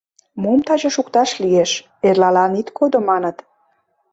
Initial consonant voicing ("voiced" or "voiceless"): voiced